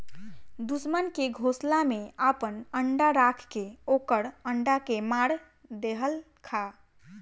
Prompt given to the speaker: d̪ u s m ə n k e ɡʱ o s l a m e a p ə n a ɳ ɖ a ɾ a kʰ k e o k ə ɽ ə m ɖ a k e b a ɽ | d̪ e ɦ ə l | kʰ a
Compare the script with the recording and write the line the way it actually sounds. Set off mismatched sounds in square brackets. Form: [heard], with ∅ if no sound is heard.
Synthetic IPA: d̪ u s m ə n k e ɡʱ o s l a m e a p ə n [ə] ɳ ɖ a ɾ a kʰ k e o k ə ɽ ə [ɳ] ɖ a k e [m] a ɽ | d̪ e ɦ ə l | kʰ a